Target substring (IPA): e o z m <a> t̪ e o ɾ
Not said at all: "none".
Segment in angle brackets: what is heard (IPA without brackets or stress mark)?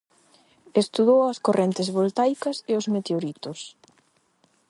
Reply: e